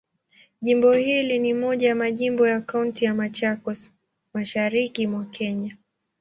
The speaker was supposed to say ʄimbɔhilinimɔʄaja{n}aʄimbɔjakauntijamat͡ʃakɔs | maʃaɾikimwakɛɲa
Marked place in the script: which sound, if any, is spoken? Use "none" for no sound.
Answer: m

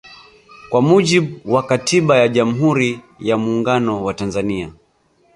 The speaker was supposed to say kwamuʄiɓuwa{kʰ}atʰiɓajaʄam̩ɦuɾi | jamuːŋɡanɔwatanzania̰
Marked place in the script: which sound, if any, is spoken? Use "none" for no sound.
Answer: k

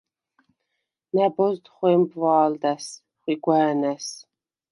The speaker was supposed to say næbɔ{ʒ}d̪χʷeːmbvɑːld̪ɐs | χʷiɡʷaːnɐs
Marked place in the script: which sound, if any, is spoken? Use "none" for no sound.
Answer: z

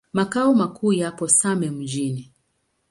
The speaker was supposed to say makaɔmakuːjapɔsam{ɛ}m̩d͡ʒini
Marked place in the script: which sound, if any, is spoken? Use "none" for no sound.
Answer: ɛ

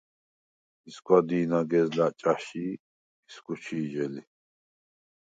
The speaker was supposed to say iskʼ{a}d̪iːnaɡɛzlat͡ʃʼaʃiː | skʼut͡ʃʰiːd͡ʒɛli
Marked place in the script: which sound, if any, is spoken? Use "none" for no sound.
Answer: a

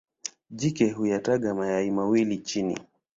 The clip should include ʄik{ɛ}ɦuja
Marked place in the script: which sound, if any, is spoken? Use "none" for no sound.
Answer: ɛ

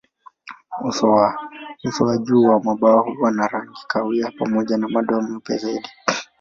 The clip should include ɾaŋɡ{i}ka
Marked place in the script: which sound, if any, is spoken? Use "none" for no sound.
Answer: i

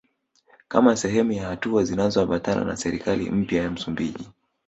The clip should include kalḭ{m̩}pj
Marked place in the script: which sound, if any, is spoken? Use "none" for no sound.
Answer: m̩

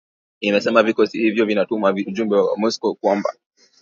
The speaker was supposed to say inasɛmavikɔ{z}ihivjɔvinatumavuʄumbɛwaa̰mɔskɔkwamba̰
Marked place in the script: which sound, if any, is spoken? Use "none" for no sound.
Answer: s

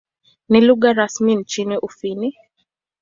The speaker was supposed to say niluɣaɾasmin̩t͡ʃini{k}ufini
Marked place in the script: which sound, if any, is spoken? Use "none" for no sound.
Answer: ʔ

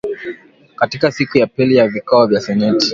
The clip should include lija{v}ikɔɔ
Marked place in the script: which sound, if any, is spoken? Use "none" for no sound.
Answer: v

